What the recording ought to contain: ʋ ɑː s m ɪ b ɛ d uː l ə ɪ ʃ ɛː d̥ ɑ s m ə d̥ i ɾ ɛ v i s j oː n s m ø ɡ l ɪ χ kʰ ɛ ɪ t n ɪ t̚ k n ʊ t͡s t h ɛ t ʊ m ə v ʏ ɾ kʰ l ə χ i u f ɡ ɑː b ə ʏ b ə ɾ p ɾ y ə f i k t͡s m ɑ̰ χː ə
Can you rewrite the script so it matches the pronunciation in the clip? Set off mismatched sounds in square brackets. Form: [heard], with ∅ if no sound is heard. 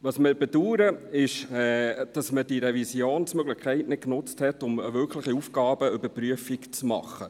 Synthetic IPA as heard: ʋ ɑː s m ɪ b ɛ d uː [ɾ] ə ɪ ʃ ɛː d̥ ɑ s m ə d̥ i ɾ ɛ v i s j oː n s m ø ɡ l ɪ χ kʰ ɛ ɪ t n ɪ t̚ k n ʊ t͡s t h ɛ t ʊ m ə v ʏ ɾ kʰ l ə χ i u f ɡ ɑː b ə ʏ b ə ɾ p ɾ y ə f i k t͡s m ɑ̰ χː ə